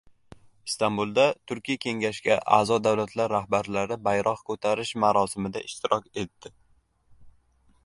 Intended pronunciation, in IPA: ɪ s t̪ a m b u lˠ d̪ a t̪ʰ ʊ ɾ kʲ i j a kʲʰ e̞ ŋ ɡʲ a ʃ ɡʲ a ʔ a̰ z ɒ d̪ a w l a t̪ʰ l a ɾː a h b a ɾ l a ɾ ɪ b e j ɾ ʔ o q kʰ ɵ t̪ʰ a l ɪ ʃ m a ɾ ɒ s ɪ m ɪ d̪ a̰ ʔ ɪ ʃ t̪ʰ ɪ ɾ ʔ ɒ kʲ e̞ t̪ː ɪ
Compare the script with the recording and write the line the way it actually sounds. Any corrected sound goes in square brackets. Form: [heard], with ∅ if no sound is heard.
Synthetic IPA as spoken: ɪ s t̪ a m b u lˠ d̪ a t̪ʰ ʊ ɾ kʲ i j a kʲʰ e̞ ŋ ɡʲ a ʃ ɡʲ a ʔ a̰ z ɒ d̪ a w l a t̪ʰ l a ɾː a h b a ɾ l a ɾ ɪ b [a] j ɾ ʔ [ɒ] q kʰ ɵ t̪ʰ a [ɾ] ɪ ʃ m a ɾ ɒ s ɪ m ɪ d̪ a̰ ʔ ɪ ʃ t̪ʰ ɪ ɾ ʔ ɒ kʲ e̞ t̪ː ɪ